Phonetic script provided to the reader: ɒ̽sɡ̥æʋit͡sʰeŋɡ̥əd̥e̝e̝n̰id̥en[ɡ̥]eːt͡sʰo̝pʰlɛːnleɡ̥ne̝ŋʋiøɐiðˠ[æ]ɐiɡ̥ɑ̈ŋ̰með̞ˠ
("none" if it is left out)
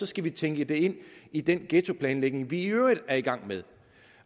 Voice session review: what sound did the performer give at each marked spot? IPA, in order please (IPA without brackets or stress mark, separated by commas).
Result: ɡ̥, æ